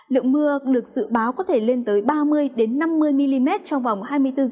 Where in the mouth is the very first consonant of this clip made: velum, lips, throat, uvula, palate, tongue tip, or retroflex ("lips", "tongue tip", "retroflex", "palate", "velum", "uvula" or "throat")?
tongue tip